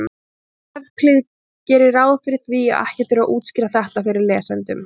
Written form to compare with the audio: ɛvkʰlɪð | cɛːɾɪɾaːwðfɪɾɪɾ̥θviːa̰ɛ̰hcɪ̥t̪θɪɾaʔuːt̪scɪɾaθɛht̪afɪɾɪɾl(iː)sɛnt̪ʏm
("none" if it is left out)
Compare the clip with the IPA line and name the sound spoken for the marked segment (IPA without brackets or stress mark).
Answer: ɛː